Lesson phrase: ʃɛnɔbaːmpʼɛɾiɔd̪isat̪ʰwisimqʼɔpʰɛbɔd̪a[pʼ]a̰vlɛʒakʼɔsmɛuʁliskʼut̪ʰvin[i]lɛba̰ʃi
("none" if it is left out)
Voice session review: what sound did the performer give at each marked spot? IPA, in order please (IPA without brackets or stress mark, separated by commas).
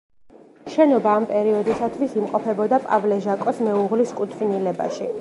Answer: pʼ, i